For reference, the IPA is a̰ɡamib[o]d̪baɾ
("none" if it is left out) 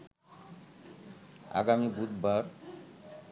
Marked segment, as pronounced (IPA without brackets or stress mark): u